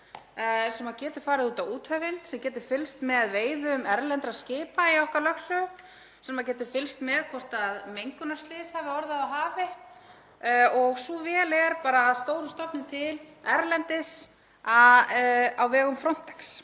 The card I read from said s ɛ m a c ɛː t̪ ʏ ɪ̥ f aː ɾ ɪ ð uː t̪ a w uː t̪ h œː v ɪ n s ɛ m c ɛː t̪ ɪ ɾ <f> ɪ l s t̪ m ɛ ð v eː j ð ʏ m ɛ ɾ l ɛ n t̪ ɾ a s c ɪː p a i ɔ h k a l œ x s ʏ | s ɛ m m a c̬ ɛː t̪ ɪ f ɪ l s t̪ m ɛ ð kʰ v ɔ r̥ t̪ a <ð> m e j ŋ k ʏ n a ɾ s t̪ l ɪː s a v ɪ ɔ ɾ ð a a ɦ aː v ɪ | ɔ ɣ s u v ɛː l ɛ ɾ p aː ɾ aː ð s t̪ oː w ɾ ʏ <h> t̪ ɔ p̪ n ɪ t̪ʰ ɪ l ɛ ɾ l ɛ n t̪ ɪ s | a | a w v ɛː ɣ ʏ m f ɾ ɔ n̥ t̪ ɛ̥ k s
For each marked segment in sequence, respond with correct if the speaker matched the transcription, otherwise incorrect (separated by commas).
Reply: correct, correct, incorrect